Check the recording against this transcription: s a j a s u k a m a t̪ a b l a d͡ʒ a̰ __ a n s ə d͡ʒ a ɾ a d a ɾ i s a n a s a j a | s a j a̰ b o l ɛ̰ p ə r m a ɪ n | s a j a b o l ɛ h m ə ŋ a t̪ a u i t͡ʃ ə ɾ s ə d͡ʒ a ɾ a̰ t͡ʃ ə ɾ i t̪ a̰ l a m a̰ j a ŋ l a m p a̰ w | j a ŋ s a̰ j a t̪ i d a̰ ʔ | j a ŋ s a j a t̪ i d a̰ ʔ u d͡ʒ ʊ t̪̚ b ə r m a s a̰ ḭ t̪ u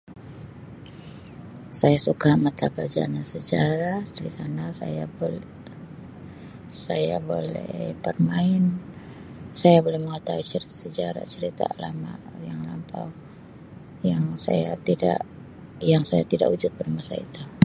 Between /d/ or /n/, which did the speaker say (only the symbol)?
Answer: n